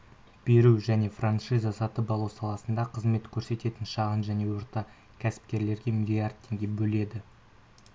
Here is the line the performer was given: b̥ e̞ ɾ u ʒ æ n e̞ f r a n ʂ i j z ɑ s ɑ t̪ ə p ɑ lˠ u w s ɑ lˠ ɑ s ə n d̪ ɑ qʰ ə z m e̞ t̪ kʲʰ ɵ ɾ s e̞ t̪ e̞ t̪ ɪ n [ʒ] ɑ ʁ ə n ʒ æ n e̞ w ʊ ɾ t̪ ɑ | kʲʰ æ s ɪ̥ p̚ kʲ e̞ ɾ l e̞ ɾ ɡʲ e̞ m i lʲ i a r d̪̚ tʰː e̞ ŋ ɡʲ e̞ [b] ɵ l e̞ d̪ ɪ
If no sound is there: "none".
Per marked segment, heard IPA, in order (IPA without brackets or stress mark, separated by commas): ʃ, b